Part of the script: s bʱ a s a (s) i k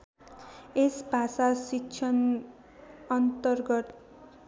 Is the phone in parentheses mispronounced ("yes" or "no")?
no